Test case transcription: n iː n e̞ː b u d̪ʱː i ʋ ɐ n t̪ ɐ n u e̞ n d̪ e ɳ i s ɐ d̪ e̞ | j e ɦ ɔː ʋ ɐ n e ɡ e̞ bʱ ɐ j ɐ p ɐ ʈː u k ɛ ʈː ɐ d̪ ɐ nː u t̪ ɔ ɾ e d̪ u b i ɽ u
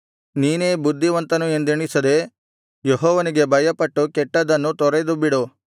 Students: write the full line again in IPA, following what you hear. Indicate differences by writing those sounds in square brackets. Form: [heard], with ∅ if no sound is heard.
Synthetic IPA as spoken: n iː n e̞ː b u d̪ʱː i ʋ ɐ n t̪ ɐ n u e̞ n d̪ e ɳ i s ɐ d̪ e̞ | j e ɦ ɔː ʋ ɐ n [i] ɡ e̞ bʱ ɐ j ɐ p ɐ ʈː u k ɛ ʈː ɐ d̪ ɐ nː u t̪ ɔ ɾ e d̪ u b i ɽ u

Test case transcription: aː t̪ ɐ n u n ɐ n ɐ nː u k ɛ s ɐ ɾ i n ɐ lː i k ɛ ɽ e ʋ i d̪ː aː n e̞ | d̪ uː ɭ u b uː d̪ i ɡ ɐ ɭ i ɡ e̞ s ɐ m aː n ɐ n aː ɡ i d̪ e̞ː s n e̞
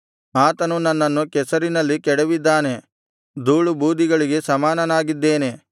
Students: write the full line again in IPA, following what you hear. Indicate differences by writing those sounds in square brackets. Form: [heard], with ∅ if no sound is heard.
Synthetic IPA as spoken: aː t̪ ɐ n u n ɐ [nː] ɐ nː u k ɛ s ɐ ɾ i n ɐ lː i k ɛ ɽ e ʋ i d̪ː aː n e̞ | d̪ uː ɭ u b uː d̪ i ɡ ɐ ɭ i ɡ e̞ s ɐ m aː n ɐ n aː ɡ i [d̪ː] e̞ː [∅] n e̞

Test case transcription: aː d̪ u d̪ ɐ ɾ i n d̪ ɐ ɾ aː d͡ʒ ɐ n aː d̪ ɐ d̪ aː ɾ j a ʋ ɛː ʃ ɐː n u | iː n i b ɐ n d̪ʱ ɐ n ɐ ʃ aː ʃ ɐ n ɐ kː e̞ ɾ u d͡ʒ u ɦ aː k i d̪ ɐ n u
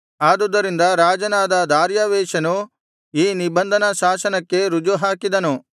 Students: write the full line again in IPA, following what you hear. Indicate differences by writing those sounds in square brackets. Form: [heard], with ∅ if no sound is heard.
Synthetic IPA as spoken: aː d̪ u d̪ ɐ ɾ i n d̪ ɐ ɾ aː d͡ʒ ɐ n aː d̪ ɐ d̪ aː ɾ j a ʋ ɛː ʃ [ɐ] n u | iː n i b ɐ n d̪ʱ ɐ n ɐ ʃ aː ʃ ɐ n ɐ kː e̞ ɾ u d͡ʒ u ɦ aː k i d̪ ɐ n u

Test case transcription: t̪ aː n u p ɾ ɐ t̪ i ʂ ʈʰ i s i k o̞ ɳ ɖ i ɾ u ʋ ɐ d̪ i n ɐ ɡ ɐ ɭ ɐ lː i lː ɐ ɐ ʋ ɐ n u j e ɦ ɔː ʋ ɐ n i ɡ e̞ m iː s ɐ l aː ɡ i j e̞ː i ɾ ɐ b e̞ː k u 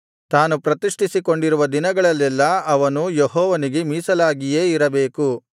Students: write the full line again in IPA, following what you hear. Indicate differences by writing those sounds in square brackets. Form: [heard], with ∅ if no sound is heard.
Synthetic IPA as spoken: t̪ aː n u p ɾ ɐ t̪ i ʂ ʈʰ i s i k o̞ ɳ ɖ i ɾ u ʋ ɐ d̪ i n ɐ ɡ ɐ ɭ ɐ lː [ɛ] lː ɐ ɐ ʋ ɐ n u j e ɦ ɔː ʋ ɐ n i ɡ e̞ m iː s ɐ l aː ɡ i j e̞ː i ɾ ɐ b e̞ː k u

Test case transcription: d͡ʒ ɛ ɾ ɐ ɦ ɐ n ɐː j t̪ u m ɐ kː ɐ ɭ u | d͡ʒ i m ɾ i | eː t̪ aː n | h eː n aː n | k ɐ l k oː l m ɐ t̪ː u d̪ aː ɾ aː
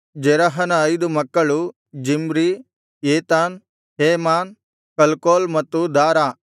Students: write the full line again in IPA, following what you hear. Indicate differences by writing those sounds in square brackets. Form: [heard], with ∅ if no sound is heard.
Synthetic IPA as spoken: d͡ʒ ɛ ɾ ɐ ɦ ɐ n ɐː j [d̪] u m ɐ kː ɐ ɭ u | d͡ʒ i m ɾ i | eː t̪ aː n | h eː [m] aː n | k ɐ l k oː l m ɐ t̪ː u d̪ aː ɾ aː

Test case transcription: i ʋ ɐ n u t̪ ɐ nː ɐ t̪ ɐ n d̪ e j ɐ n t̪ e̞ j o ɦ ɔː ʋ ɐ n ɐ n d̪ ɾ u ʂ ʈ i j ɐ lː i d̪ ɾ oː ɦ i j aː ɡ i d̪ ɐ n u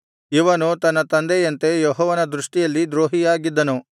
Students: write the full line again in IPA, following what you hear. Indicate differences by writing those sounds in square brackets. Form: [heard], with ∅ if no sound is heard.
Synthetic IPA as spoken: i ʋ ɐ n u t̪ ɐ nː ɐ t̪ ɐ n d̪ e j ɐ n t̪ e̞ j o ɦ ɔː ʋ ɐ n ɐ [∅] d̪ ɾ u ʂ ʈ i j ɐ lː i d̪ ɾ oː ɦ i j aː ɡ i [d̪ː] ɐ n u

